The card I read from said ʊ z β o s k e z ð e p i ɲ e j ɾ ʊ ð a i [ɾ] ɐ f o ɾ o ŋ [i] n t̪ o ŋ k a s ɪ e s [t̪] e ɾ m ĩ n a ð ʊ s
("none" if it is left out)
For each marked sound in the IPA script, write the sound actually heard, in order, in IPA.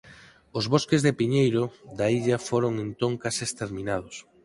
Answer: ʎ, e, t̪

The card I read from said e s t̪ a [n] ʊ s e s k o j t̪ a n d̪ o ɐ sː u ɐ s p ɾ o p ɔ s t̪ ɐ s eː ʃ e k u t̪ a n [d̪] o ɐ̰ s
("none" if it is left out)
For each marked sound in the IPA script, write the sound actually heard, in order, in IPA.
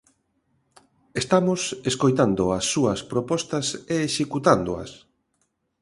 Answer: m, d̪

